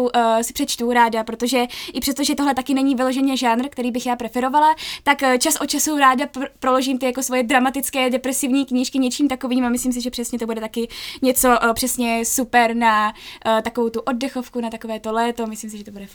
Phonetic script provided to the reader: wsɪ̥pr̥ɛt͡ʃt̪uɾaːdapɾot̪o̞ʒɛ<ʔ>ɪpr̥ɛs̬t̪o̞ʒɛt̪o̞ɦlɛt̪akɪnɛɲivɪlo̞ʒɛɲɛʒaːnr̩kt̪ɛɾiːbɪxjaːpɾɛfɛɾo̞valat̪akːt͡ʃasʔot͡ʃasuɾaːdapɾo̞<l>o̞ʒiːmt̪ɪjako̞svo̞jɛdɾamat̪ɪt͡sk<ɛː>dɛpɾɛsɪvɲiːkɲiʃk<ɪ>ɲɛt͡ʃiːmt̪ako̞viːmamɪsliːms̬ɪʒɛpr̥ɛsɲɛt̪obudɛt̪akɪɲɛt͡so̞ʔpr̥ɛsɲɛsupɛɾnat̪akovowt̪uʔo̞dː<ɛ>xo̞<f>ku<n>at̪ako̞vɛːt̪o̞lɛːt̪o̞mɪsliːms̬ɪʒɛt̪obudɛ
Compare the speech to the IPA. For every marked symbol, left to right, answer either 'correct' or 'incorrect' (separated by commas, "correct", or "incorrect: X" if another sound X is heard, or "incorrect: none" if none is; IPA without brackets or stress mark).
correct, correct, correct, correct, correct, correct, correct